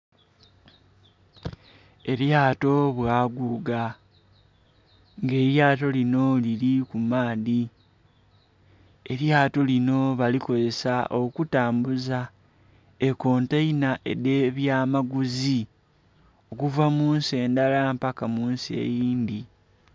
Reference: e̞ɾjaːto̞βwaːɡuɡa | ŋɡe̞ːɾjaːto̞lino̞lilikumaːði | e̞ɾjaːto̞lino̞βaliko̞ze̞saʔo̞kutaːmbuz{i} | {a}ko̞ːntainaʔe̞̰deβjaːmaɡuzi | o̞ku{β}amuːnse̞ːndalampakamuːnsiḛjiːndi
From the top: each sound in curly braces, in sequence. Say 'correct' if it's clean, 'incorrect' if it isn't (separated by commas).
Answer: incorrect, incorrect, incorrect